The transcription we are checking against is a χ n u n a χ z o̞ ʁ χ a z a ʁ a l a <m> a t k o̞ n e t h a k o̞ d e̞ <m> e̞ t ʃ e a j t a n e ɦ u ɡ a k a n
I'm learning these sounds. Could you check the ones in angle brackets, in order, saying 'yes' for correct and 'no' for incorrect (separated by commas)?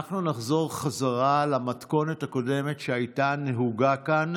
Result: yes, yes